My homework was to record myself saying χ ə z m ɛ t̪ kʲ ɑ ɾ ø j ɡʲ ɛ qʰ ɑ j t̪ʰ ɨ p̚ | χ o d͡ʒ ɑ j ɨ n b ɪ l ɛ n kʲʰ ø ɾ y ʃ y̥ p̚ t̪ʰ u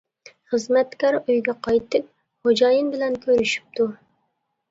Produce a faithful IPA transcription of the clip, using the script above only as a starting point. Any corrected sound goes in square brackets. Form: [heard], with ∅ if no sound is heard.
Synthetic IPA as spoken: χ ə z m ɛ t̪ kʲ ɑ ɾ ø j ɡʲ ɛ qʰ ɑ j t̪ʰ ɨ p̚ | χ o d͡ʒ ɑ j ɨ n b ɪ l ɛ n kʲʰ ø ɾ y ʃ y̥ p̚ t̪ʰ u